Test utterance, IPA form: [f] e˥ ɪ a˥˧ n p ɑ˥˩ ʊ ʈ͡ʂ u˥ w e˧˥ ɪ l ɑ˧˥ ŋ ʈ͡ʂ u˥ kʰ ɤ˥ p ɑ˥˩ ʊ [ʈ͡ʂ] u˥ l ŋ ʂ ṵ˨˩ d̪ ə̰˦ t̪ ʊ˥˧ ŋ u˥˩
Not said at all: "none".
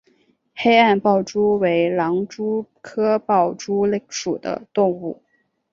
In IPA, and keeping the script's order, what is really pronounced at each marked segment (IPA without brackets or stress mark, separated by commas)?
x, ʈ͡ʂ